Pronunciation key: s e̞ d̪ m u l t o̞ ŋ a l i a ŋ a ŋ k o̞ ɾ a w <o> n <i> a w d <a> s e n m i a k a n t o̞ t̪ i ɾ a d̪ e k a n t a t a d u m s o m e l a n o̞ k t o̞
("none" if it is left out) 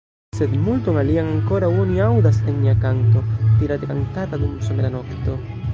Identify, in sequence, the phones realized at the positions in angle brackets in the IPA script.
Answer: o, i, a

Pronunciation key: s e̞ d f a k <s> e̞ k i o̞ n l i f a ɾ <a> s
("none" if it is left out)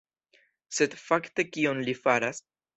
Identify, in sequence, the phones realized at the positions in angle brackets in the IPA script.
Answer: t, a

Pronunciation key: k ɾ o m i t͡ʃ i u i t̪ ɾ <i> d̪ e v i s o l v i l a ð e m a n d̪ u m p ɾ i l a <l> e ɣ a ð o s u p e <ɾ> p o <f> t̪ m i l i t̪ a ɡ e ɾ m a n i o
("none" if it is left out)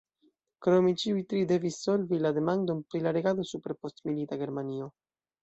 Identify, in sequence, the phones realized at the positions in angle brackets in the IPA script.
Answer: i, ɾ, ɾ, s

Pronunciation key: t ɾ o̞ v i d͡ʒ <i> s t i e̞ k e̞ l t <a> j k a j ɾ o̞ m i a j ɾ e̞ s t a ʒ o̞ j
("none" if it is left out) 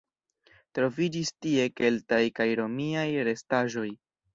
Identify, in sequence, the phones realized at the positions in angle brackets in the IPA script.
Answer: i, a

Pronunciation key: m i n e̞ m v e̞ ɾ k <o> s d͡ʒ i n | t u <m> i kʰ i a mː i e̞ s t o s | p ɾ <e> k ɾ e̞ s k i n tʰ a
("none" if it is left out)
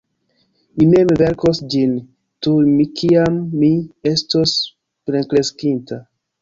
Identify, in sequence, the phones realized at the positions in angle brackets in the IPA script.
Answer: o, m, e

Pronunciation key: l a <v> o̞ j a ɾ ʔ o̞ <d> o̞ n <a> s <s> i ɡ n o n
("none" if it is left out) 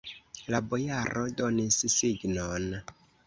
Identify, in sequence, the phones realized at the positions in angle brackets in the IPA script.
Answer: b, d, i, s

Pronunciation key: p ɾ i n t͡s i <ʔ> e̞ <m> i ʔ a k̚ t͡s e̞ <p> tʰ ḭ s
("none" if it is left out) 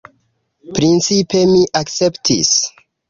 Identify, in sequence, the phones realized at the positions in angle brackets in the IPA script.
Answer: p, m, p

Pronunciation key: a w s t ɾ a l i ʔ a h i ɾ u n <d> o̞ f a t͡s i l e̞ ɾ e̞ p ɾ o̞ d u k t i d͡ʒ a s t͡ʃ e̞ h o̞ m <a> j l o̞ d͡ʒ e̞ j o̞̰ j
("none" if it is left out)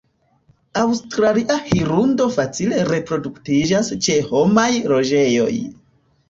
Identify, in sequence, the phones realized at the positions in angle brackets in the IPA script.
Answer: d, a

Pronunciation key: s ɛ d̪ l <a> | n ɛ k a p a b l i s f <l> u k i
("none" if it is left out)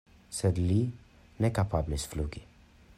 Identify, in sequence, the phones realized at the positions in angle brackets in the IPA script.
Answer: i, l

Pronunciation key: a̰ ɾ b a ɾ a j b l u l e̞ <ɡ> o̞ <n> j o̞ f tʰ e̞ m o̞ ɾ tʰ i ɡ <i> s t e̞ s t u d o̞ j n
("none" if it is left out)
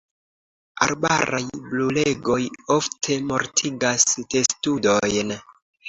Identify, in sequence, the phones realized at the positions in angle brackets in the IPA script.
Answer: ɡ, none, a

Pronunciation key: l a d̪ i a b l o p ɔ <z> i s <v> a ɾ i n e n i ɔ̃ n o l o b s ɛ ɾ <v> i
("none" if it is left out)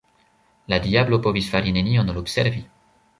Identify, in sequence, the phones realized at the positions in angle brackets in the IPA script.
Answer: v, f, v

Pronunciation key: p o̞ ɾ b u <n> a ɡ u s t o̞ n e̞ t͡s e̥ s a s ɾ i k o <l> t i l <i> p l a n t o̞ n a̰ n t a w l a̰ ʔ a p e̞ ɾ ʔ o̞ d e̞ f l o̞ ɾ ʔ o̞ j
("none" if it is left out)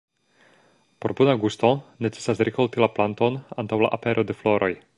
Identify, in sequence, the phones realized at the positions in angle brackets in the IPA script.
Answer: n, l, a

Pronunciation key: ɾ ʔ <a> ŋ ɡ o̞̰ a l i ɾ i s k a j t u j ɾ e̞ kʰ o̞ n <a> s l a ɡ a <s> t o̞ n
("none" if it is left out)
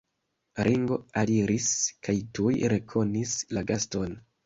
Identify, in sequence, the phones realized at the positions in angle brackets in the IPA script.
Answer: i, i, s

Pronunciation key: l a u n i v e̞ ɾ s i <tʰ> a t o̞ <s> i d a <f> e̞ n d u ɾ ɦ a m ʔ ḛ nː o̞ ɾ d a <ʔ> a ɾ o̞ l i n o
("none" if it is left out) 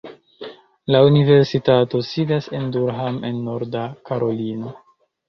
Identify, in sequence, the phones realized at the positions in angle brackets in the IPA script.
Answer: t, s, s, k

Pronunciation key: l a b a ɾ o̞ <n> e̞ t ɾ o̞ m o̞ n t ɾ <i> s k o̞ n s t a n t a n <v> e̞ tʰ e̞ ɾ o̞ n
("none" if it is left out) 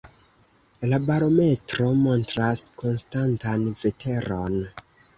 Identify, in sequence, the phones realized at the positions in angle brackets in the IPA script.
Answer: m, a, v

